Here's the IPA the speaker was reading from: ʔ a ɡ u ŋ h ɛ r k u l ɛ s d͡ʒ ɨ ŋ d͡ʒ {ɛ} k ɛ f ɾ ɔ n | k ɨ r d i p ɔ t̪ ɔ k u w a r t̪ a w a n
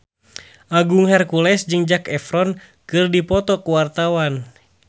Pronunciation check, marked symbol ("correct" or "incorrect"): incorrect